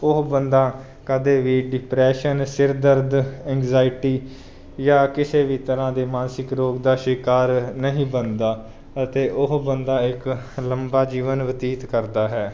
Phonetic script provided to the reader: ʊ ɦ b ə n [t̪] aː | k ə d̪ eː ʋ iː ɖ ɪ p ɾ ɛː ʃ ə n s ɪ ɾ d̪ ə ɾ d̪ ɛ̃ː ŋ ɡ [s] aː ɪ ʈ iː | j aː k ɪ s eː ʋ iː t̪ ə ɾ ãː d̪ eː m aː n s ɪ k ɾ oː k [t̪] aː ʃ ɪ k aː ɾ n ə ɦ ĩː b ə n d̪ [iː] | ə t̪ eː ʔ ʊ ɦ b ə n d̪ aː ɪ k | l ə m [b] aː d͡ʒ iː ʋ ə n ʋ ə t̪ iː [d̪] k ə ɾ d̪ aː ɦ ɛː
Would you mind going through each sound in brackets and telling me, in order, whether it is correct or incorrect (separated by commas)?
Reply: incorrect, incorrect, incorrect, incorrect, correct, incorrect